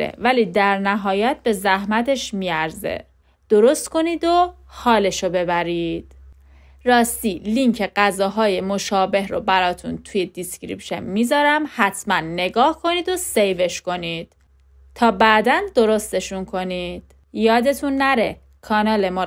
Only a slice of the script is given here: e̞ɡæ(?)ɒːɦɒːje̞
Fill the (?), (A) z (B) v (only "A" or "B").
A